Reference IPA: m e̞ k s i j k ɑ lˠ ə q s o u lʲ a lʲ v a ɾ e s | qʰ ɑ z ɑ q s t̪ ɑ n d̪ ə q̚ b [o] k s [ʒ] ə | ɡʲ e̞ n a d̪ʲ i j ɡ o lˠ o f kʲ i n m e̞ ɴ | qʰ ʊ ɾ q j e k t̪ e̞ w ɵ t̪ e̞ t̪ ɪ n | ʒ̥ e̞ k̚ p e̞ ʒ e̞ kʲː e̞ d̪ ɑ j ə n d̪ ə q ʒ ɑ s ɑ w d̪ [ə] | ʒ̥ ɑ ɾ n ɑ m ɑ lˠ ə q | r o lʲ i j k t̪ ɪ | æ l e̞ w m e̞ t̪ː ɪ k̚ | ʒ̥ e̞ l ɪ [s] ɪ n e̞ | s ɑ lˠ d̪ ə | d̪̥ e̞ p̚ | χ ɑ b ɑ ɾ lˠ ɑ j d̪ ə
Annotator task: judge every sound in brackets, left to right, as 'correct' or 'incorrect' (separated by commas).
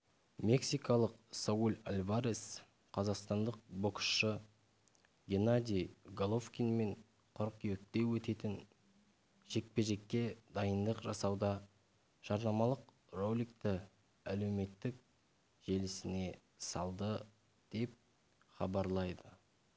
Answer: correct, incorrect, incorrect, correct